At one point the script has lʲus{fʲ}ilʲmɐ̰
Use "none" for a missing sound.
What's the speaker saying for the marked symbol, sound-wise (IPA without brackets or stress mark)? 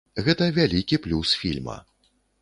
fʲ